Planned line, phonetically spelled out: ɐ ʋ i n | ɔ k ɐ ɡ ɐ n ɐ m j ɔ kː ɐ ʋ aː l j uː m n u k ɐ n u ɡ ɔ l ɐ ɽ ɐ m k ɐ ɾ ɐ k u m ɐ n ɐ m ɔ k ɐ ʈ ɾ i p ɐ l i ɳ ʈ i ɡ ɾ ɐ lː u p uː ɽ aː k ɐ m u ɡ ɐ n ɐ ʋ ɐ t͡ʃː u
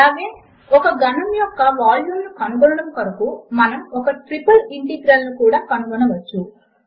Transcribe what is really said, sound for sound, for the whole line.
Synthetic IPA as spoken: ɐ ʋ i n | ɔ k ɐ ɡ ɐ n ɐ m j ɔ kː ɐ ʋ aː l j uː m n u k ɐ n u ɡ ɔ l ɐ ɽ ɐ m k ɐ ɾ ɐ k u m ɐ n ɐ m ɔ k ɐ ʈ ɾ i p ɐ l i ɳ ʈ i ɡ ɾ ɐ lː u k uː ɽ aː k ɐ n u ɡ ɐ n ɐ ʋ ɐ t͡ʃː u